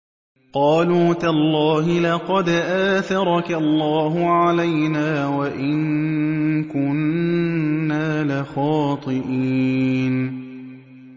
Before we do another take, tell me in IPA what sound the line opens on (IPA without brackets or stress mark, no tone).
q